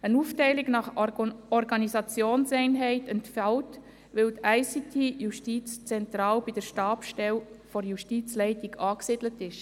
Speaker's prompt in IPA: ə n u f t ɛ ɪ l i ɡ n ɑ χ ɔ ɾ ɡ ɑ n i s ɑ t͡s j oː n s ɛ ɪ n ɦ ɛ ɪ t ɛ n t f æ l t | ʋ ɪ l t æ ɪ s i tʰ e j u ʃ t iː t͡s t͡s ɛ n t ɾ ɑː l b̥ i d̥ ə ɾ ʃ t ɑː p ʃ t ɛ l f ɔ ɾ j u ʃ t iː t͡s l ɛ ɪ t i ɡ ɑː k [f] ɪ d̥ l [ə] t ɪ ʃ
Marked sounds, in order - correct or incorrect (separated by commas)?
incorrect, correct